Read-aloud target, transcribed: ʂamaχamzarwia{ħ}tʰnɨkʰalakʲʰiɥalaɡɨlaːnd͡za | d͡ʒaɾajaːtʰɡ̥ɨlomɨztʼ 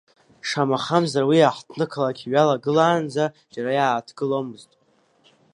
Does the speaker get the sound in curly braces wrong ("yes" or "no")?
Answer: no